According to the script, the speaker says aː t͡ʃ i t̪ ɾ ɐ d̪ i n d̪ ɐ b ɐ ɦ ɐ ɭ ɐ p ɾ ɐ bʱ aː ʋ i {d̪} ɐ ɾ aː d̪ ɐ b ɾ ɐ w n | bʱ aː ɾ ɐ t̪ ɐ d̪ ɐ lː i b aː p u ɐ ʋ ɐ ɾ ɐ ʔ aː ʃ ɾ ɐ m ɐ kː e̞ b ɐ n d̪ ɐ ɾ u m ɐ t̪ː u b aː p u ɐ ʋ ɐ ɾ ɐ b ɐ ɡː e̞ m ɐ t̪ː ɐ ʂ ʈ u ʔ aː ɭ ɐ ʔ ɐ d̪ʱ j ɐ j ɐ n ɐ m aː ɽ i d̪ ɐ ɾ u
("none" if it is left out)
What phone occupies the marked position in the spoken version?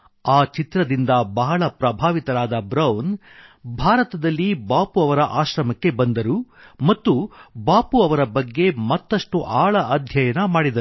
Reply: t̪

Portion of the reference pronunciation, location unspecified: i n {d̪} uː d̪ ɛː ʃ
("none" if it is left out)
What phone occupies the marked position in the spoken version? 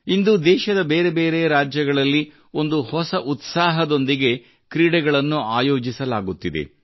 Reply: d̪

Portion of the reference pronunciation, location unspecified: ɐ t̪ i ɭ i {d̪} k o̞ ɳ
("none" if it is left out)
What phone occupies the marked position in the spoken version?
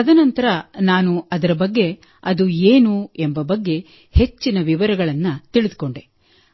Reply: d̪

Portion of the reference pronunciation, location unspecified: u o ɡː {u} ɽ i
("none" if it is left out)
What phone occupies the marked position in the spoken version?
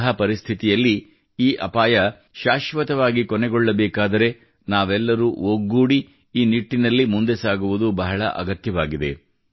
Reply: uː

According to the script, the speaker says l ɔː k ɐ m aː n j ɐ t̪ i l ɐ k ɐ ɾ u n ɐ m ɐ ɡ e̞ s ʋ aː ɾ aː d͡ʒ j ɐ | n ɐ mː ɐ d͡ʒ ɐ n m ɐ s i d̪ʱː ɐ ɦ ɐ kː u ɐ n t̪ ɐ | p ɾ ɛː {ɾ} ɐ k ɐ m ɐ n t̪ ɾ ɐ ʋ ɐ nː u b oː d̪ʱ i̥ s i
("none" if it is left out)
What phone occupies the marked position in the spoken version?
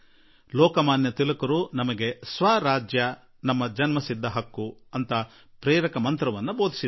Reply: ɾ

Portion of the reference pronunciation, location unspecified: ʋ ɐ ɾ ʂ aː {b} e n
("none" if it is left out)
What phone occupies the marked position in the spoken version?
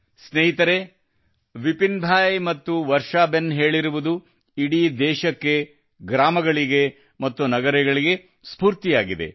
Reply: b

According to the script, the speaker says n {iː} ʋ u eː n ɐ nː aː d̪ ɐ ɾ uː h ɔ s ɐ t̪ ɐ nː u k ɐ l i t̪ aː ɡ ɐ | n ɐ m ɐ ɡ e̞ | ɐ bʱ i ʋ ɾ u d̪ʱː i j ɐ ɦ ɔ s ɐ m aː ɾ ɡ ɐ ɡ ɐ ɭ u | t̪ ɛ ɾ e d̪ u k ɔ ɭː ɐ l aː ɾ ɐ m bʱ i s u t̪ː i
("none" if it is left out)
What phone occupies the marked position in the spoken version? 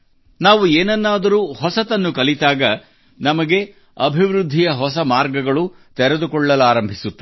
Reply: aː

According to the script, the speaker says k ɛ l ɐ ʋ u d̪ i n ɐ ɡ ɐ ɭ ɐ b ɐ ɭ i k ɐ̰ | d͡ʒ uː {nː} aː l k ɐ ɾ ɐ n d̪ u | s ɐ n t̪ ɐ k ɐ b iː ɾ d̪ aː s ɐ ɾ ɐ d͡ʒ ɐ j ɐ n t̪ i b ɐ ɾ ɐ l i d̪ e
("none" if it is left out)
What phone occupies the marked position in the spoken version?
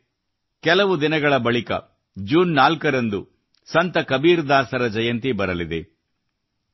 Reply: nː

